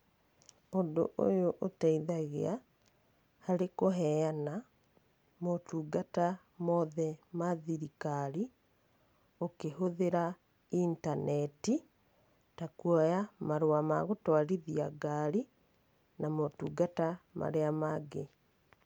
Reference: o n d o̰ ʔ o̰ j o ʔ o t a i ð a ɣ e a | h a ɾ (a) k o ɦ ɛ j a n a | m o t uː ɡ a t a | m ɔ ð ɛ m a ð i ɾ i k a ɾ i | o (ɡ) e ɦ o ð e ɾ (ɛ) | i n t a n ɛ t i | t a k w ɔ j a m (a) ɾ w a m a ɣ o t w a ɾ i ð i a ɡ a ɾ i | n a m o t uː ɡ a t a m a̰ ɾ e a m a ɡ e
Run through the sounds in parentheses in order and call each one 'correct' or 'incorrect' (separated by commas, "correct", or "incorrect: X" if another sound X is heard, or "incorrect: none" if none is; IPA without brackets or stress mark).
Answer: incorrect: e, incorrect: k, incorrect: a, correct